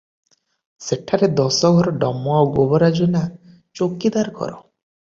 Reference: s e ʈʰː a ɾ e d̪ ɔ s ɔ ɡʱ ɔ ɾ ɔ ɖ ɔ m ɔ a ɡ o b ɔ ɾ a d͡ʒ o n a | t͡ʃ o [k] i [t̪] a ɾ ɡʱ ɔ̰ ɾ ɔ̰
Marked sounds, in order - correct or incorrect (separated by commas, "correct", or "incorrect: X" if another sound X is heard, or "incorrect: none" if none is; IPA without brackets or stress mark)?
correct, incorrect: d̪